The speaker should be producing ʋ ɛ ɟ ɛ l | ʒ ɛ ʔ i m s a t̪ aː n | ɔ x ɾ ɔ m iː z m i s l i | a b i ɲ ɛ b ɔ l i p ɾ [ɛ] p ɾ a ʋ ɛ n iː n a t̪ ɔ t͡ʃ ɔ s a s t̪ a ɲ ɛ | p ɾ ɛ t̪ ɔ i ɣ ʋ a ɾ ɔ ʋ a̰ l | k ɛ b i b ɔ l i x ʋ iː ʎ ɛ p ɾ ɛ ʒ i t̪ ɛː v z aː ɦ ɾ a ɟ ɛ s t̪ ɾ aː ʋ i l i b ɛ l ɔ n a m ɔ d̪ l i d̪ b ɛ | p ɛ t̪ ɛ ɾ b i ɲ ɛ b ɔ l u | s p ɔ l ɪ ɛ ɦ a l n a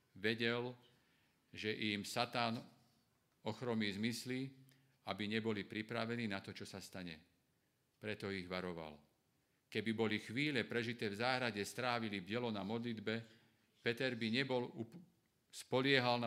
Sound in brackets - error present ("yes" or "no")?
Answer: yes